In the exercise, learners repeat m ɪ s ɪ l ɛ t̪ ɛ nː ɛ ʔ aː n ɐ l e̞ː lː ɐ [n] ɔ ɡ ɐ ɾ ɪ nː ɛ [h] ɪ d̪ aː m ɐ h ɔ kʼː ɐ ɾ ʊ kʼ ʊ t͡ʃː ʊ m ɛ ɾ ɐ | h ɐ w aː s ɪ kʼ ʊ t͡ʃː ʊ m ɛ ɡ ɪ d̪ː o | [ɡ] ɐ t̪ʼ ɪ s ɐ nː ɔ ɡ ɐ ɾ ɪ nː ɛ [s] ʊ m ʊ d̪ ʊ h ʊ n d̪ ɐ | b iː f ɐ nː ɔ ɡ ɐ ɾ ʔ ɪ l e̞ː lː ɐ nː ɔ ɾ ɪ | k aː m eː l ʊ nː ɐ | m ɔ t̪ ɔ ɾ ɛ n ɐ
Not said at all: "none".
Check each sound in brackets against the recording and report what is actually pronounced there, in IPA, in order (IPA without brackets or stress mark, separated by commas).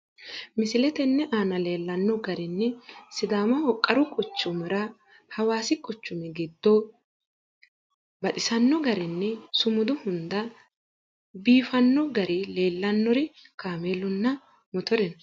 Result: nː, s, b, s